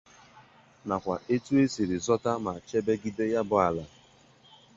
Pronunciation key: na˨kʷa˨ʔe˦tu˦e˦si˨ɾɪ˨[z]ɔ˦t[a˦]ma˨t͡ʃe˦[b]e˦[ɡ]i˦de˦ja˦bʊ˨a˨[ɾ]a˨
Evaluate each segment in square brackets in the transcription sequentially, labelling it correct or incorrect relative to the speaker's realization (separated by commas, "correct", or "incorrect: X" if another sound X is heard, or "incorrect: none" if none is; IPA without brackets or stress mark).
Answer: correct, correct, correct, correct, incorrect: l